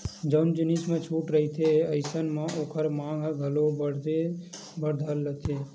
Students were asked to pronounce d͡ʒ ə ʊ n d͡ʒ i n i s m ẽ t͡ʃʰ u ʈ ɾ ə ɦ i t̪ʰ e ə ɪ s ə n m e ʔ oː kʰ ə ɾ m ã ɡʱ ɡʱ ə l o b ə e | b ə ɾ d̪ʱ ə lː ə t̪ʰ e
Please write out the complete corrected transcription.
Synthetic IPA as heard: d͡ʒ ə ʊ n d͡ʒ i n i s m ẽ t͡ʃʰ u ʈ ɾ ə ɦ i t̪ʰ e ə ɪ s ə n m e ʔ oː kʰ ə ɾ m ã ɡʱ ɡʱ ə l o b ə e | b ə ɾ d̪ʱ ə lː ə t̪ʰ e

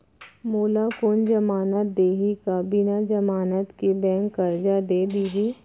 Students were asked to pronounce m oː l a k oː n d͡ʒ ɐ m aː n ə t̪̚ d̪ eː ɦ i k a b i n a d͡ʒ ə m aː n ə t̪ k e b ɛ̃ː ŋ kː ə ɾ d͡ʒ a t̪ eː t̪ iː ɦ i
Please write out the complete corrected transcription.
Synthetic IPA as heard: m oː l a k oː n d͡ʒ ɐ m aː n ə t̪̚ d̪ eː ɦ i k a b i n a d͡ʒ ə m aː n ə t̪ k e b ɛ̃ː ŋ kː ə ɾ d͡ʒ a d̪ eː d̪ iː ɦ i

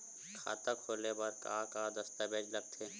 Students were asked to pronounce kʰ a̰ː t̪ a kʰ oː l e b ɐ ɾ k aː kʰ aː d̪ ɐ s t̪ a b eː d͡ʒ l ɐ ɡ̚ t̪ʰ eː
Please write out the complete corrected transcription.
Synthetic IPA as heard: kʰ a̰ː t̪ a kʰ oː l e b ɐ ɾ k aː k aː d̪ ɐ s t̪ a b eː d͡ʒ l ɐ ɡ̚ t̪ʰ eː

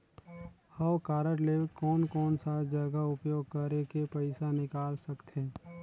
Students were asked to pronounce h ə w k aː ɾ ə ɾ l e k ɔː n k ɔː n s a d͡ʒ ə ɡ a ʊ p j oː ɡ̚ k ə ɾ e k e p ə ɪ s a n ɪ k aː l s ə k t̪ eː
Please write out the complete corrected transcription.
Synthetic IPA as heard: h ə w k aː ɾ ə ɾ l e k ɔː n k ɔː n s a d͡ʒ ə ɡ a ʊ p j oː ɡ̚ k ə ɾ e k e p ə ɪ s a n ɪ k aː l s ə k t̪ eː

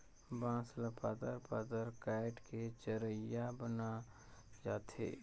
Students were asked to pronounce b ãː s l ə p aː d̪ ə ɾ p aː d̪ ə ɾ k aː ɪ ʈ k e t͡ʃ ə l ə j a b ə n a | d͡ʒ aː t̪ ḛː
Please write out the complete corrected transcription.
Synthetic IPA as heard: b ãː s l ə p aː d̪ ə ɾ p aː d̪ ə ɾ k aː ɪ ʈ k e t͡ʃ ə ɾ ə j a b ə n a | d͡ʒ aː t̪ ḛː

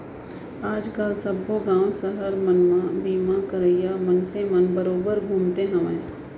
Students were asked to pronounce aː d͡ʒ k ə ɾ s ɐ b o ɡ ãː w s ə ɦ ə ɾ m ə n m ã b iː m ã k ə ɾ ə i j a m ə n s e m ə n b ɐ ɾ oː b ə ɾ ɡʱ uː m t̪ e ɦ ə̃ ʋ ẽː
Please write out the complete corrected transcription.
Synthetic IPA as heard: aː d͡ʒ k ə l s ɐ b o ɡ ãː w s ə ɦ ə ɾ m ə n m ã b iː m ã k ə ɾ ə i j a m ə n s e m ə n b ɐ ɾ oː b ə ɾ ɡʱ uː m t̪ e ɦ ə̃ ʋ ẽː

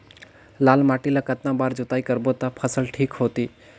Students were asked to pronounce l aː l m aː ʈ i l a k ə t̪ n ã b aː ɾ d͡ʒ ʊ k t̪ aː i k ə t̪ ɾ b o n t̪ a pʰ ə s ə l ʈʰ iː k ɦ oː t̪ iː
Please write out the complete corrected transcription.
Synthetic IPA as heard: l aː l m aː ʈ i l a k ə t̪ n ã b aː ɾ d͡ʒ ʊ t̪ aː i k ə ɾ b o t̪ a pʰ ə s ə l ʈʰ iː k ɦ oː t̪ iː

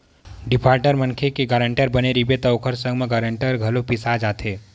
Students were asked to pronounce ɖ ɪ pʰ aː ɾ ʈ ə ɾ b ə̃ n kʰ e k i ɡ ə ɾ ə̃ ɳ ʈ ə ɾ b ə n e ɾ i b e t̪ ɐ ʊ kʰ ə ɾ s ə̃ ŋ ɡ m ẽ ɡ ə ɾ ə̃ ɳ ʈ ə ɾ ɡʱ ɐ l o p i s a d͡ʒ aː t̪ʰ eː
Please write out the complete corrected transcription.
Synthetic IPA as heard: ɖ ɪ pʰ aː ɾ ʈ ə ɾ m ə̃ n kʰ e k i ɡ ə ɾ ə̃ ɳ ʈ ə ɾ b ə n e ɾ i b e t̪ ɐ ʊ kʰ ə ɾ s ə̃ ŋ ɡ m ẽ ɡ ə ɾ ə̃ ɳ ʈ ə ɾ ɡʱ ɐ l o p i s a d͡ʒ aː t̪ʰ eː

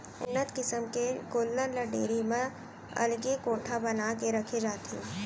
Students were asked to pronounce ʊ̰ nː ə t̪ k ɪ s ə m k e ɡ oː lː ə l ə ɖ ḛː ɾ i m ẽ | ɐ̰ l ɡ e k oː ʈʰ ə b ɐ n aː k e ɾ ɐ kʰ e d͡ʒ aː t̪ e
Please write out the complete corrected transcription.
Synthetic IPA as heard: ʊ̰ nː ə t̪ k ɪ s ə m k e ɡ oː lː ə l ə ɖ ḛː ɾ i m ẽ | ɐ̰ l ɡ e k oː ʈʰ a b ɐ n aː k e ɾ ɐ kʰ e d͡ʒ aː t̪ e

